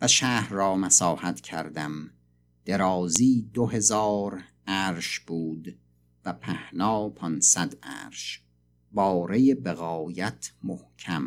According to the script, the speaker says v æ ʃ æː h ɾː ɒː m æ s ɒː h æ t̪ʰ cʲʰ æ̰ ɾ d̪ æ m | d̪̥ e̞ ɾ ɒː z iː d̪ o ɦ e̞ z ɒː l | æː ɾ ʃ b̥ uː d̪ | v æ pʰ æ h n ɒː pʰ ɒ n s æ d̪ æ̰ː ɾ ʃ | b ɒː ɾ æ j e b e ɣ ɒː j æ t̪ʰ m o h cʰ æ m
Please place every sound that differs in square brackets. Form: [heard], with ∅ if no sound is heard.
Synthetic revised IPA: v æ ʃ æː h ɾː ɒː m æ s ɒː h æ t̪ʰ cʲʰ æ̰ ɾ d̪ æ m | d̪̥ e̞ ɾ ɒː z iː d̪ o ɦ e̞ z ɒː [ɾ] | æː ɾ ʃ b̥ uː d̪ | v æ pʰ æ h n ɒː pʰ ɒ n s æ d̪ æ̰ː ɾ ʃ | b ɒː ɾ [e] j e b e ɣ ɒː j æ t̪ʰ m o h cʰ æ m